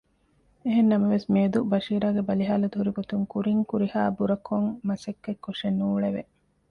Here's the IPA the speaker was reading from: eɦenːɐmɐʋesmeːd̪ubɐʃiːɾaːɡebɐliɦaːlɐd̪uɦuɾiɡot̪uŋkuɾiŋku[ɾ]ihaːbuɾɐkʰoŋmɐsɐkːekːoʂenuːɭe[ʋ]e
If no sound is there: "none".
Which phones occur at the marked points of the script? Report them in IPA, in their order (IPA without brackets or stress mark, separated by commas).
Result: ɾ, ʋ